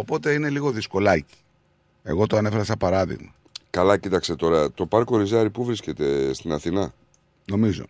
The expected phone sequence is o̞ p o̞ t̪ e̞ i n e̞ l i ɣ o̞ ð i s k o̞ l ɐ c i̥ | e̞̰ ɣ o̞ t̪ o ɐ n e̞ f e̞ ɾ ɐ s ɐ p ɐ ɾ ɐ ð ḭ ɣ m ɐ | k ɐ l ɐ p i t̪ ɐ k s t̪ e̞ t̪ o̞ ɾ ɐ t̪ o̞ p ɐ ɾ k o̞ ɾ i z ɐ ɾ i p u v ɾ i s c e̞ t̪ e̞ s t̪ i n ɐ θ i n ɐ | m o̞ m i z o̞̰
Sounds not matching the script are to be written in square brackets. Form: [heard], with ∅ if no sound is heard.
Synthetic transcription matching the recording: o̞ p o̞ t̪ e̞ i n e̞ l i ɣ o̞ ð i s k o̞ l ɐ c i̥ | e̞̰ ɣ o̞ t̪ o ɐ n e̞ f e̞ ɾ ɐ s ɐ p ɐ ɾ ɐ ð ḭ ɣ m ɐ | k ɐ l ɐ [c] i t̪ ɐ k s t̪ e̞ t̪ o̞ ɾ ɐ t̪ o̞ p ɐ ɾ k o̞ ɾ i z ɐ ɾ i p u v ɾ i s c e̞ t̪ e̞ s t̪ i n ɐ θ i n ɐ | [n] o̞ m i z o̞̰